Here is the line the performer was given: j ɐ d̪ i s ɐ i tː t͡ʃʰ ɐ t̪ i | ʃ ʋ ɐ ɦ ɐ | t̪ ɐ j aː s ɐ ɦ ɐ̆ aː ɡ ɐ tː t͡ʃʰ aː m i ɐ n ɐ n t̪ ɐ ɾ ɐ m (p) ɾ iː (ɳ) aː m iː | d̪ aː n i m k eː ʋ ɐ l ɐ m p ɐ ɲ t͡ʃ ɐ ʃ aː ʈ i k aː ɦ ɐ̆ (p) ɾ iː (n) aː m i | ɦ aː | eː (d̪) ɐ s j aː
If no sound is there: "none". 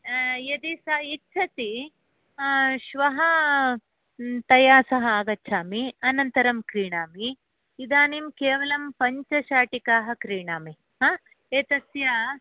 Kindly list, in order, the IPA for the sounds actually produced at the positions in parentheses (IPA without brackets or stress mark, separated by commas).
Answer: k, ɳ, k, ɳ, t̪